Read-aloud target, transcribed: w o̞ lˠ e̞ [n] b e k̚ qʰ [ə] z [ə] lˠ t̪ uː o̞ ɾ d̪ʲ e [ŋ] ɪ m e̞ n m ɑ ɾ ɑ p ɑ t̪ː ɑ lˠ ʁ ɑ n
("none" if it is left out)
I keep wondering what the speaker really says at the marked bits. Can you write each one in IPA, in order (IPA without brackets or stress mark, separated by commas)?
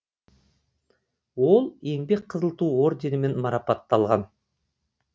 ŋ, ə, ə, n